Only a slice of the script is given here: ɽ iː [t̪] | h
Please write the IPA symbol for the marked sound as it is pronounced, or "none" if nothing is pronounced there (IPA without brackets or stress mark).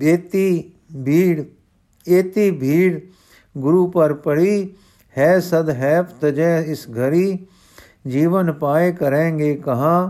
none